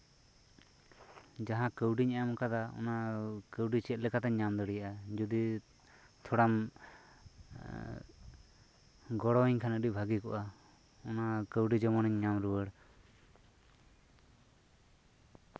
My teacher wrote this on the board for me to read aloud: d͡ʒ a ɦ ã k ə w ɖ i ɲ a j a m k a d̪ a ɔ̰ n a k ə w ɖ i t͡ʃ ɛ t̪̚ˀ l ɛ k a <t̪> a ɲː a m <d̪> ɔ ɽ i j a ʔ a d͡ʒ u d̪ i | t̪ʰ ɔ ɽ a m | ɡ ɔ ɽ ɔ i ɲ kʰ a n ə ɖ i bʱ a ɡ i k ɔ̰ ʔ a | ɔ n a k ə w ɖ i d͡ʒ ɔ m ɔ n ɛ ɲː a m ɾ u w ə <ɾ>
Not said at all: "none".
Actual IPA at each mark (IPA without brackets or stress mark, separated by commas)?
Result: t̪, d̪, ɽ